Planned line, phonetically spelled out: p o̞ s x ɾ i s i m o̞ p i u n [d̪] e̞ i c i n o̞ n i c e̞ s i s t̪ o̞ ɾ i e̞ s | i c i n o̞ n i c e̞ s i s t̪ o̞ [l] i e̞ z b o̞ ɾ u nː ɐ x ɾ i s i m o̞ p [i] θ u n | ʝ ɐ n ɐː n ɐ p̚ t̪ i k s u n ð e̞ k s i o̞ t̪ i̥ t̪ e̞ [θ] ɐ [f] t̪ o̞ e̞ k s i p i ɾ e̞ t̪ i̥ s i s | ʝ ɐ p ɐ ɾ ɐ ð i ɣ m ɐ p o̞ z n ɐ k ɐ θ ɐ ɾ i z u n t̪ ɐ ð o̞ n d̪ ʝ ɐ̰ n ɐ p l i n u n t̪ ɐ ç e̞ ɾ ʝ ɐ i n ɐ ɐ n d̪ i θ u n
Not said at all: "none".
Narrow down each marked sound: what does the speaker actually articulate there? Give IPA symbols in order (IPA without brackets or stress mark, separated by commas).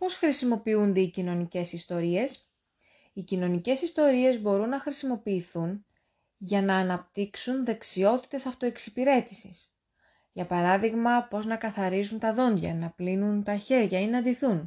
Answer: d̪, ɾ, iː, s, f